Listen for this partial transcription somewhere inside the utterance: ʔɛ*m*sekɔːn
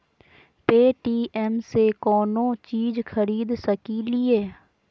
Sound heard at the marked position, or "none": m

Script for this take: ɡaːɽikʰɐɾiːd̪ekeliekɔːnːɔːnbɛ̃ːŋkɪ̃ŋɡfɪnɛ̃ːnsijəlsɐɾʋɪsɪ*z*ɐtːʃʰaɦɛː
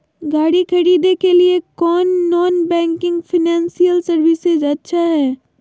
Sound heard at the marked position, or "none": z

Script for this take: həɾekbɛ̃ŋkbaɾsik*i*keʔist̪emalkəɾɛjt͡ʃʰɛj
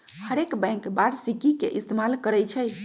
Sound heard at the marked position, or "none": i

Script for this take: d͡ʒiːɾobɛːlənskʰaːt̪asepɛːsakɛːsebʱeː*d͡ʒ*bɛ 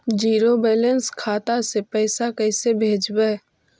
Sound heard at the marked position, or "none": d͡ʒ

